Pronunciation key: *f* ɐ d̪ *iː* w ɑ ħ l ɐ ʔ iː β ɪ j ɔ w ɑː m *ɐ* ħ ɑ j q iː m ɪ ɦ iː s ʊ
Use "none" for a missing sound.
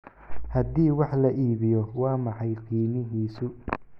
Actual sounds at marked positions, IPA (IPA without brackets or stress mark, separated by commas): h, iː, ɑ